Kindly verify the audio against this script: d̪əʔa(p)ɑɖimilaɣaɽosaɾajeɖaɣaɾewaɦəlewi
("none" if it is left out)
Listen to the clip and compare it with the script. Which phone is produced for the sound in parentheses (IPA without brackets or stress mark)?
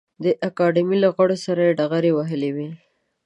k